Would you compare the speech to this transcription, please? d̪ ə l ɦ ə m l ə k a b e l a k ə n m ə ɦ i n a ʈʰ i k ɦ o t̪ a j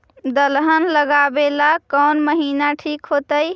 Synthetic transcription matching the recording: d̪ ə l ɦ ə n l ə ɡ a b e l a k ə n m ə ɦ i n a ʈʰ i k ɦ o t̪ ə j